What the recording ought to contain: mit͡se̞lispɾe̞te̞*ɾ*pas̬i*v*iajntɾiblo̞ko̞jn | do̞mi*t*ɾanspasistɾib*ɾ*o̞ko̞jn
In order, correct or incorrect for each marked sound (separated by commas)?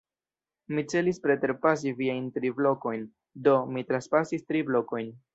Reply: correct, correct, correct, incorrect